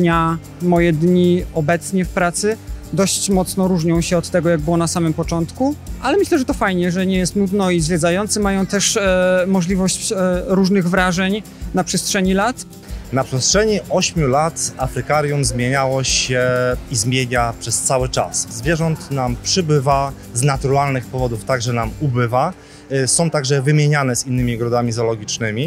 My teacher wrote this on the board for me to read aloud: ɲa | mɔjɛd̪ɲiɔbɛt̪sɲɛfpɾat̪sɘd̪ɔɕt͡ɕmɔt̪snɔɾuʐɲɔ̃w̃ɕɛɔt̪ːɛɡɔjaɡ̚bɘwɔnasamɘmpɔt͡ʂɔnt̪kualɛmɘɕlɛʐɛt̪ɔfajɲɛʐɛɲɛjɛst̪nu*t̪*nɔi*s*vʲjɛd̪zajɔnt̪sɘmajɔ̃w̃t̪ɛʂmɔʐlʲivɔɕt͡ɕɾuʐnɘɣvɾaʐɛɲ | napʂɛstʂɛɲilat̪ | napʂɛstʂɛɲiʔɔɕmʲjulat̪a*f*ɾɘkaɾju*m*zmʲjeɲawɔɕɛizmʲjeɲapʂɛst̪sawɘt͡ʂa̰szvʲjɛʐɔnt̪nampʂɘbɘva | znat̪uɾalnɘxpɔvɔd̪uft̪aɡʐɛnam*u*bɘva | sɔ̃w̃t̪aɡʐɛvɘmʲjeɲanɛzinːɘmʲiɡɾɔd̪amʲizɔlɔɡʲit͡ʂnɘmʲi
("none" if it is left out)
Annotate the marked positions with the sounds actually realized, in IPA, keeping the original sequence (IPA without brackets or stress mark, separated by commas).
d̪, z, f, m, u